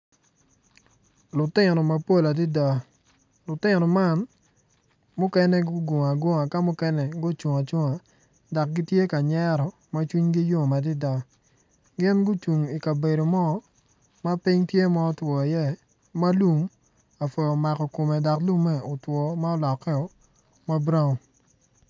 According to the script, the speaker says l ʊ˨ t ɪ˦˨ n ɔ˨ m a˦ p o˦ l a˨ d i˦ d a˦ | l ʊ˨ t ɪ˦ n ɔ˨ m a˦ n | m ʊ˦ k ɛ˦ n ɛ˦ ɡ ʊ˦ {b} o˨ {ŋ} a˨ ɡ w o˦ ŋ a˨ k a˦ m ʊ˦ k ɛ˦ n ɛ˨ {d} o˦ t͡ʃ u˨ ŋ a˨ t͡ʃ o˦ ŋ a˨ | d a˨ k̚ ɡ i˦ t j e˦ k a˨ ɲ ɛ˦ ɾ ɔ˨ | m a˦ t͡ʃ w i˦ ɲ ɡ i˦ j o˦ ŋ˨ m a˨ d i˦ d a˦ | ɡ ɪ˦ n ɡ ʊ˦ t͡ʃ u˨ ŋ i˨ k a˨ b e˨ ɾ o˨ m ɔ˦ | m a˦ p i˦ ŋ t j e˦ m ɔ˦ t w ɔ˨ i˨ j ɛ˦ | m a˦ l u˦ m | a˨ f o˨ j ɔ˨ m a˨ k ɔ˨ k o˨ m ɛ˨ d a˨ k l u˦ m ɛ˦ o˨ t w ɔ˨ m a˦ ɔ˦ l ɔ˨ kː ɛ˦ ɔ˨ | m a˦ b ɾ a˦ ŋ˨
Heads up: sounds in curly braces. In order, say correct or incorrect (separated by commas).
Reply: incorrect, correct, incorrect